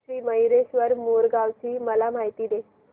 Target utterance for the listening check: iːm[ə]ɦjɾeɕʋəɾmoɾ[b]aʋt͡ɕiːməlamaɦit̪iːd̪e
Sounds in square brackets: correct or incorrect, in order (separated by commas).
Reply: correct, incorrect